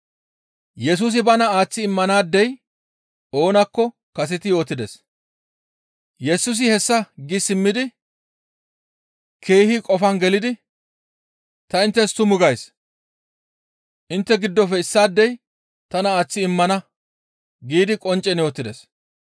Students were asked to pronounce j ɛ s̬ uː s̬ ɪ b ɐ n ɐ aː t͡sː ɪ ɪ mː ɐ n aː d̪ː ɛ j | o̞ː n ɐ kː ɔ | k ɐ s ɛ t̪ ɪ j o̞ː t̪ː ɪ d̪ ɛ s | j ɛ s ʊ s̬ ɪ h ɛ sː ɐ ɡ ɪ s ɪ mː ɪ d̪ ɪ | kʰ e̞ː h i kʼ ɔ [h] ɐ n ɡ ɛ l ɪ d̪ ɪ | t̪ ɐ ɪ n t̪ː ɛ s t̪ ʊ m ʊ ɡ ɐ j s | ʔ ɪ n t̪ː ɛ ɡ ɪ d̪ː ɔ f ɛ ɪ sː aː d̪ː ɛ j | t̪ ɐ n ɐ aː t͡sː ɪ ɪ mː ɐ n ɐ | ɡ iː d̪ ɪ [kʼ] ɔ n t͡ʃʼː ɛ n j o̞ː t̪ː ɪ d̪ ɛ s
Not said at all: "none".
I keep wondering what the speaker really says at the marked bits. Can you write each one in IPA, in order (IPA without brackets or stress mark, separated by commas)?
f, kʼ